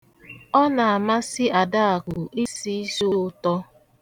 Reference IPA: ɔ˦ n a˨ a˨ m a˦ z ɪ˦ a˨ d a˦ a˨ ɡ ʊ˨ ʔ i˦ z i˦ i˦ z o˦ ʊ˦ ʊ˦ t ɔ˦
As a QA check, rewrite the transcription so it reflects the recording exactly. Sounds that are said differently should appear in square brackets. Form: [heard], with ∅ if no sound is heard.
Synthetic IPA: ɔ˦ n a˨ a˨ m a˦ [s] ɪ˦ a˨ d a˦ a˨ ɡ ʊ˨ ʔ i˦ [s] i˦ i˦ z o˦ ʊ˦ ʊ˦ t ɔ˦